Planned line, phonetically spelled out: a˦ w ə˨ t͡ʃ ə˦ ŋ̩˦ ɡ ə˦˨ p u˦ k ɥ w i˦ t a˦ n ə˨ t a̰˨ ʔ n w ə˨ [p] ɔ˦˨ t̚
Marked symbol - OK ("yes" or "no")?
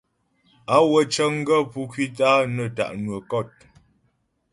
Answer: no